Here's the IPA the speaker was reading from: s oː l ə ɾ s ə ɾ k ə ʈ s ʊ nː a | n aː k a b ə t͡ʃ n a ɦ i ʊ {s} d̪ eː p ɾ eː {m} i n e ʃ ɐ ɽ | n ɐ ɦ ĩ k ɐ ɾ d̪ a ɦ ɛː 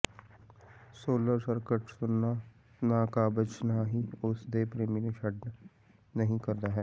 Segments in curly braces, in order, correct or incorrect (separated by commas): correct, correct